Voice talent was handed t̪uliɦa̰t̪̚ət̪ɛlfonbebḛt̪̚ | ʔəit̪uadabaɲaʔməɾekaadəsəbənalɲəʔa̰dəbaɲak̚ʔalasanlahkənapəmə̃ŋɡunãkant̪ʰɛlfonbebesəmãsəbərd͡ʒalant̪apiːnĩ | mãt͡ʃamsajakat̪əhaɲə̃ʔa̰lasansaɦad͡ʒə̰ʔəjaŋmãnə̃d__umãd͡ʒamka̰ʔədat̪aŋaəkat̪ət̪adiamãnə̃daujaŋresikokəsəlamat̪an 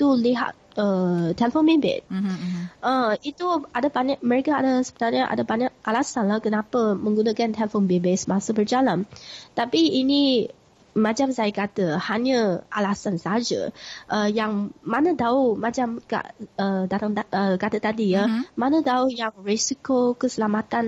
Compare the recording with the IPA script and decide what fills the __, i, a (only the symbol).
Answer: a